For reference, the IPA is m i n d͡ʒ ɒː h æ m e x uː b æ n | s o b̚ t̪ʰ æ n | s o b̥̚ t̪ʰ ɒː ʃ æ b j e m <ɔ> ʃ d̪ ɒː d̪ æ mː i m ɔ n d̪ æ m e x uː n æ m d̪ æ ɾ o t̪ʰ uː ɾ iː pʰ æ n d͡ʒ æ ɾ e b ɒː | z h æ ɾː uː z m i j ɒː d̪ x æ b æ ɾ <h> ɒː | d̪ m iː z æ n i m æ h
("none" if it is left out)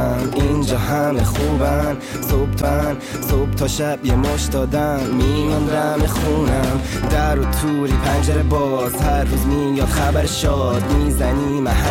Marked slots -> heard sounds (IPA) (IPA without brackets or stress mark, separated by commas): o, ʃ